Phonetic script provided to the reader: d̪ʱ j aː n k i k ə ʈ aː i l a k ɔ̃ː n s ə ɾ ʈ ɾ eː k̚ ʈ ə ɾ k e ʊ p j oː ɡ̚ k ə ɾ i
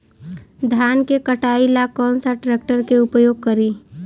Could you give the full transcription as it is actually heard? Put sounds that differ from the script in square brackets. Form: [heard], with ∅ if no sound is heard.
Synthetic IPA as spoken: d̪ʱ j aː n k [e] k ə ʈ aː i l a k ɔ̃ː n s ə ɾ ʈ ɾ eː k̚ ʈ ə ɾ k e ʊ p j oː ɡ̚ k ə ɾ i

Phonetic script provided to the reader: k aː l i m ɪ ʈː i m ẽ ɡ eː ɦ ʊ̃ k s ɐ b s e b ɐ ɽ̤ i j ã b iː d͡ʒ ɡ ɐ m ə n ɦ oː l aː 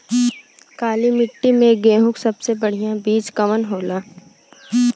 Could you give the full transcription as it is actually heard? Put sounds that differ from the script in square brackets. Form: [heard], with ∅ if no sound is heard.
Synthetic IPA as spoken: k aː l i m ɪ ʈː i m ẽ ɡ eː ɦ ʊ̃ k s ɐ b s e b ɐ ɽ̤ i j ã b iː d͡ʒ [k] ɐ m ə n ɦ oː l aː

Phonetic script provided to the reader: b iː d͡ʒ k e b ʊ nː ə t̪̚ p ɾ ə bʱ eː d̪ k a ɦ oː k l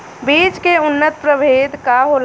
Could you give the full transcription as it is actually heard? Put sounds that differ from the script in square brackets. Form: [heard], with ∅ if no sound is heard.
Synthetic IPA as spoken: b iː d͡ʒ k e [∅] ʊ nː ə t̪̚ p ɾ ə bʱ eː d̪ k a ɦ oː [∅] l

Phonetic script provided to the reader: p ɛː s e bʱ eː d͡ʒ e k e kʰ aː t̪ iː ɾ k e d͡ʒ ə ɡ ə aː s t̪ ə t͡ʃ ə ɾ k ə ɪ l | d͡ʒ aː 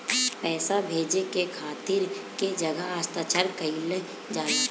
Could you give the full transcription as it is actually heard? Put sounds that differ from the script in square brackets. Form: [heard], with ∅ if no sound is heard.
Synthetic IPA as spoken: p ɛː s [a] bʱ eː d͡ʒ e k e kʰ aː t̪ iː ɾ k e d͡ʒ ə ɡ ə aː s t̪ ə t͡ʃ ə ɾ k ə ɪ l | d͡ʒ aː

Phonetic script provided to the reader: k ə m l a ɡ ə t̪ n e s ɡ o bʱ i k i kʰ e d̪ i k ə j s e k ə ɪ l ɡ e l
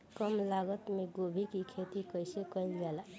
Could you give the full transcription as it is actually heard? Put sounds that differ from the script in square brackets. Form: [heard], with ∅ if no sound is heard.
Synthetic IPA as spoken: k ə m l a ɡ ə t̪ [m] e [∅] ɡ o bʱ i k i kʰ e [t̪] i k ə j s e k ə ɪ l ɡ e l

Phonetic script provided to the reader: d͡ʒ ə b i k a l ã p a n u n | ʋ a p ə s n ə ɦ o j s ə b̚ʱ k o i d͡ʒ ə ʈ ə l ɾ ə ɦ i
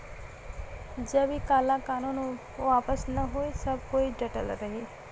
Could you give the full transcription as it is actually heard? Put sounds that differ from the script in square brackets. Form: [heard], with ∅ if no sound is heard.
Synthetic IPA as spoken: d͡ʒ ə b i k a l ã [k] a n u n | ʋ a p ə s n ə ɦ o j s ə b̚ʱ k o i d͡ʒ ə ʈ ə l ɾ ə ɦ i

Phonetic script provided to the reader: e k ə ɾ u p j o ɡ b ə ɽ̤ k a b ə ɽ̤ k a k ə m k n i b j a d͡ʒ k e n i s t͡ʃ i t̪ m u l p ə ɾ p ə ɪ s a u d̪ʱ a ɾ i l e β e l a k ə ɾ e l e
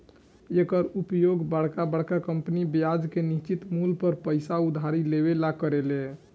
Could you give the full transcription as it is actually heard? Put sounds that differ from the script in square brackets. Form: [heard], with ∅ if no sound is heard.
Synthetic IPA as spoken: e k ə ɾ u p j o ɡ b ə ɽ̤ k a b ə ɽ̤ k a k ə m [p] n i b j a d͡ʒ k e n i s t͡ʃ i t̪ m u l p ə ɾ p ə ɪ s a u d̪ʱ a ɾ i l e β e l a k ə ɾ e l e

